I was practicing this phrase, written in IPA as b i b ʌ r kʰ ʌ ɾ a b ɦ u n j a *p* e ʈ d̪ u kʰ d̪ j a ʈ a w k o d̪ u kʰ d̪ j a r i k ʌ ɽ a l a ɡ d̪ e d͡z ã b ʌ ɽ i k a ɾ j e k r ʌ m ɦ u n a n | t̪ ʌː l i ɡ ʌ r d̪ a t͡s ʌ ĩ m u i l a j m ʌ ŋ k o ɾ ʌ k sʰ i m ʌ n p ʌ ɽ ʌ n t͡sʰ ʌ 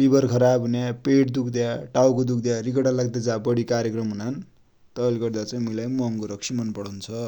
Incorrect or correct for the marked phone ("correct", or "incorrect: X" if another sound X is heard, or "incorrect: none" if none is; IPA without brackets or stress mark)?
correct